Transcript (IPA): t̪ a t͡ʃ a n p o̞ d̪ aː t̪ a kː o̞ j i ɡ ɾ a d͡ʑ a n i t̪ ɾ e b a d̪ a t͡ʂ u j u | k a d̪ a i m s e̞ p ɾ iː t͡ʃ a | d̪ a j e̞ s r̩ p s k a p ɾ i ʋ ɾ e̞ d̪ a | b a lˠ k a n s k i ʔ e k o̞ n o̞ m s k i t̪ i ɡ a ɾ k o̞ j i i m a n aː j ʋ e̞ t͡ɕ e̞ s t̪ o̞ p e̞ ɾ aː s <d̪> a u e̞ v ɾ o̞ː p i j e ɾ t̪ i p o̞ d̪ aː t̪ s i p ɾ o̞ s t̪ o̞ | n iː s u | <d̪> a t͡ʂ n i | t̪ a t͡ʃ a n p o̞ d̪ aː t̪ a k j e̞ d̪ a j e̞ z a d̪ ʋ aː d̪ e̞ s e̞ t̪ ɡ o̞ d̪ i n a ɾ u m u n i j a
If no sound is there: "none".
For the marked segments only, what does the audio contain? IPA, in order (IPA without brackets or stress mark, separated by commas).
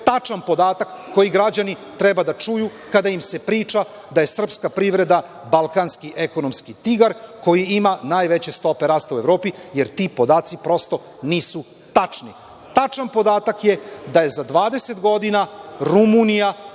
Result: t̪, t̪